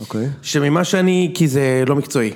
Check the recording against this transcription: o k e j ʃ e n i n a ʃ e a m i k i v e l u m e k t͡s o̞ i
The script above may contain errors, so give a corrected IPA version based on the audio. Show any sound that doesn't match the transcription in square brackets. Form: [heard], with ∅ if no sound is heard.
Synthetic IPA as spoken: o k e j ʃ e [m] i [m] a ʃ e a [n] i k i [z] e l [o] m [i] k t͡s o̞ i